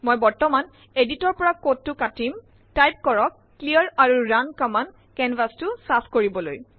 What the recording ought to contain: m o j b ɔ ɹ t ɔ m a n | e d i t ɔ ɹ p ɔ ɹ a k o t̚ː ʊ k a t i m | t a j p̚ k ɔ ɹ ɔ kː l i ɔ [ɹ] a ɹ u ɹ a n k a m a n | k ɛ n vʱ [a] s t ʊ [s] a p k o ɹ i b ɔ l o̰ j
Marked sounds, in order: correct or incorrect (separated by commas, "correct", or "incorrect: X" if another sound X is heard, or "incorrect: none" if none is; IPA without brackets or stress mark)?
correct, correct, correct